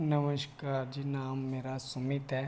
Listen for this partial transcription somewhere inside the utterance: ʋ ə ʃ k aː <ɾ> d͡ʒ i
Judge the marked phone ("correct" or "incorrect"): correct